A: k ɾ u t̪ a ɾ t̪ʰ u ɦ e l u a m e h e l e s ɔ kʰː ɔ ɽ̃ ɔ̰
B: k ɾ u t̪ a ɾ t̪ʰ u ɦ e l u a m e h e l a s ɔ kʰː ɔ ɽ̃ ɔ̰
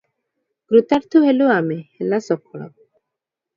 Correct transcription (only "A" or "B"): B